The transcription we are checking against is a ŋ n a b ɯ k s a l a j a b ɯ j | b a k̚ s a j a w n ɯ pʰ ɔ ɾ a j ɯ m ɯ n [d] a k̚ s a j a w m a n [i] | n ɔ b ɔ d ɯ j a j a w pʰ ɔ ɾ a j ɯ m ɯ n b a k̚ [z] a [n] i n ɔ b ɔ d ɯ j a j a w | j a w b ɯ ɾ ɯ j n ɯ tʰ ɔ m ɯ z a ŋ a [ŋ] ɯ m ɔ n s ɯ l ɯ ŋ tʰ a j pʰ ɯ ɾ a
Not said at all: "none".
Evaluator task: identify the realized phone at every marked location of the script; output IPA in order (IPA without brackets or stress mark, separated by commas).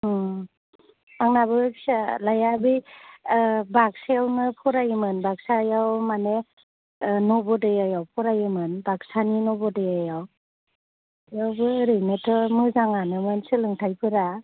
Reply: b, e, s, n, n